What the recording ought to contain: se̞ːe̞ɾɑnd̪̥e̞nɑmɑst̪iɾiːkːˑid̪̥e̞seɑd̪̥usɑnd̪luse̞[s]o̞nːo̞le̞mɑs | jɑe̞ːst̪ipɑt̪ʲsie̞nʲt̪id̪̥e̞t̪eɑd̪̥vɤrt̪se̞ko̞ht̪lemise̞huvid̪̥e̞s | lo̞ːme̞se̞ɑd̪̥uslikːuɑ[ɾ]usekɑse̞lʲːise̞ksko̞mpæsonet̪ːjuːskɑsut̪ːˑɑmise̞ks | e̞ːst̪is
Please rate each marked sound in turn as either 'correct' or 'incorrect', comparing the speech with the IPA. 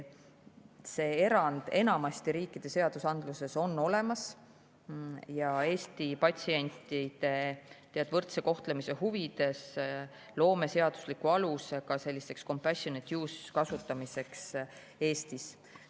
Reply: correct, incorrect: l

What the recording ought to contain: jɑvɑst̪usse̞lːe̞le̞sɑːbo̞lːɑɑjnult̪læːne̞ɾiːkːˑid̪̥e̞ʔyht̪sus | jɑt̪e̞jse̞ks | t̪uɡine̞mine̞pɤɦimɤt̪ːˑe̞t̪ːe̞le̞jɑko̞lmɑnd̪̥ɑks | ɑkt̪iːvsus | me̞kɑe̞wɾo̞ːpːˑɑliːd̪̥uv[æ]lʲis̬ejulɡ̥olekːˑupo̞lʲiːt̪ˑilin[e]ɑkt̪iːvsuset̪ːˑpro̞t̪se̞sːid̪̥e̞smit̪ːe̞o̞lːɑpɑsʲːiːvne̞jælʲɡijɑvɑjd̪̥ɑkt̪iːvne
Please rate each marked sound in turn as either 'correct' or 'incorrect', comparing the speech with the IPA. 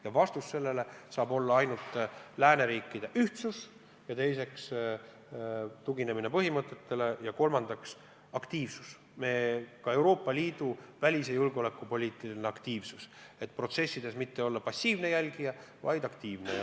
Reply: correct, correct

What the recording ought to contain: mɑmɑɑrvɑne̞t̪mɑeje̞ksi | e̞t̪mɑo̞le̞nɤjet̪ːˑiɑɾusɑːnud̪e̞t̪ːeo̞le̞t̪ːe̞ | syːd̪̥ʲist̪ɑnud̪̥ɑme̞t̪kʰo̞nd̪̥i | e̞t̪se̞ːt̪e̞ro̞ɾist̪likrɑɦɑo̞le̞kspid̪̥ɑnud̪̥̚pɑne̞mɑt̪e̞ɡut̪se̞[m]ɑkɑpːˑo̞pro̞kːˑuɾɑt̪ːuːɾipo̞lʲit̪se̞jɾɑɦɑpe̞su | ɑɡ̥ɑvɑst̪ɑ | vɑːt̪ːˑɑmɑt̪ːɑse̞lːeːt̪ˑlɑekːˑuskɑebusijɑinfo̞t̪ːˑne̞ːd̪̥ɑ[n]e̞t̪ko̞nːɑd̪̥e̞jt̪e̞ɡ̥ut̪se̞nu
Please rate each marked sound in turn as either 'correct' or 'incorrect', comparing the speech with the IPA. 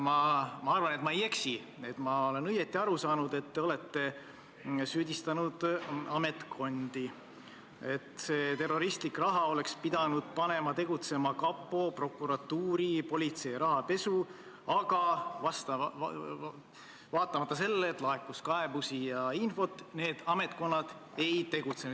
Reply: correct, incorrect: m

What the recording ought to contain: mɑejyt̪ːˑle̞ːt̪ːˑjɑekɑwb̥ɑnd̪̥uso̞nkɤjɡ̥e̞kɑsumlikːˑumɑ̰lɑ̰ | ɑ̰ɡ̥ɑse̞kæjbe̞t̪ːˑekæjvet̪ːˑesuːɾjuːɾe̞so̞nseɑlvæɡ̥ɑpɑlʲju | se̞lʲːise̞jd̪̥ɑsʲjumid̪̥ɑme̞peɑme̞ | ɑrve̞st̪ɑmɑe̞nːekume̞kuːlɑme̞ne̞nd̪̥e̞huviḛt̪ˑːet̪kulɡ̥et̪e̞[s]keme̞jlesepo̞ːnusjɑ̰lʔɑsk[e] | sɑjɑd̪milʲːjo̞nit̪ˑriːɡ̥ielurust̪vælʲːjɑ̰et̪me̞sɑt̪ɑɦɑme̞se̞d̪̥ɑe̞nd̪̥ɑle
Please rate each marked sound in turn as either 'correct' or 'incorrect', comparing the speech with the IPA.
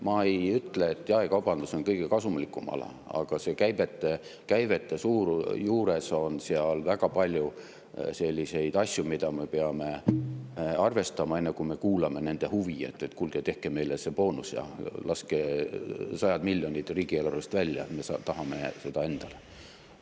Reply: incorrect: h, correct

